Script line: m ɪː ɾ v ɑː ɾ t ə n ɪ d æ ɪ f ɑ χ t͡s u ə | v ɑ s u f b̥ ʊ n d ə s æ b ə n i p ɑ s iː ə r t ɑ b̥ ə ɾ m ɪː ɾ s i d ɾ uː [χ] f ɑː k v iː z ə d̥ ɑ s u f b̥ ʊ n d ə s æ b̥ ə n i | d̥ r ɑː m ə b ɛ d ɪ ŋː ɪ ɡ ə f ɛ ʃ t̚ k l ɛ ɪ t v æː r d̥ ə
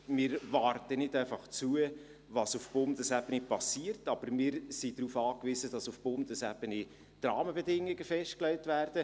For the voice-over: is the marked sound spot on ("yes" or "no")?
no